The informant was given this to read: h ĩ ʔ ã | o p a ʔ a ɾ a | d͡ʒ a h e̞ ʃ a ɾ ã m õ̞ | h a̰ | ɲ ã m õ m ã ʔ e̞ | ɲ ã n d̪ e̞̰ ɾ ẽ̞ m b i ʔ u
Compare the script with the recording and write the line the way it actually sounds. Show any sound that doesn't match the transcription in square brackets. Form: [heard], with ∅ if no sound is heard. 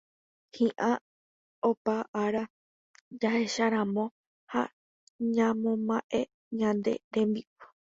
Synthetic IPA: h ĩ ʔ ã | o p a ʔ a ɾ a | d͡ʒ a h e̞ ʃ a ɾ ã m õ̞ | h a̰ | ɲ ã m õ m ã ʔ e̞ | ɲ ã n d̪ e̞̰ ɾ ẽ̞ m b i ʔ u